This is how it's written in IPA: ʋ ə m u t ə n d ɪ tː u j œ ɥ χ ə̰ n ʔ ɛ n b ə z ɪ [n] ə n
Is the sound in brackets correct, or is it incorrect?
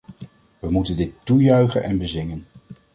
incorrect: ŋ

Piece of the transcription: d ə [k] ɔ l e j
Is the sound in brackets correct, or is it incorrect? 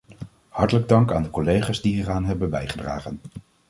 correct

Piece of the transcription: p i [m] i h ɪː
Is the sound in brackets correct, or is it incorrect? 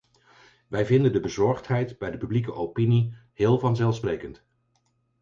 incorrect: n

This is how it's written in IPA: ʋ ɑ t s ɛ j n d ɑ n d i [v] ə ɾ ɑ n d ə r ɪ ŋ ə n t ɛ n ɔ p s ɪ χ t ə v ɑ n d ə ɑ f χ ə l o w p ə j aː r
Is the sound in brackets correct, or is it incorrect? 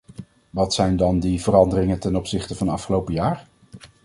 correct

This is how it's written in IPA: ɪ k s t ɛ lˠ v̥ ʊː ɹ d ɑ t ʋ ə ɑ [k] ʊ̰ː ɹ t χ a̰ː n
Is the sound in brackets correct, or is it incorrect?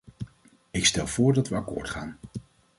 correct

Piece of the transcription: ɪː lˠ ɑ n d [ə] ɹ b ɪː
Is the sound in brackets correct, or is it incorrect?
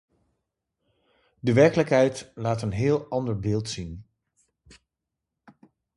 correct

